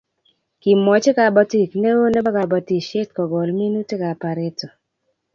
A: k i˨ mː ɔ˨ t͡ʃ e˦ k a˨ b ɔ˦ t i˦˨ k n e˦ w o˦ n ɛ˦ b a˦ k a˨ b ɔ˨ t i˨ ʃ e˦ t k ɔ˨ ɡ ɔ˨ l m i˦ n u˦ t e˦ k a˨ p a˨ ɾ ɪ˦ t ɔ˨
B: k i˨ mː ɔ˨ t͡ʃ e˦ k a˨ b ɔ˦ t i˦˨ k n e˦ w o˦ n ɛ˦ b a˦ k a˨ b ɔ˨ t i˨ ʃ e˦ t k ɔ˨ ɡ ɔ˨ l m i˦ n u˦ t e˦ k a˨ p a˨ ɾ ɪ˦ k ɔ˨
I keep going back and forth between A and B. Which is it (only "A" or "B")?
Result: A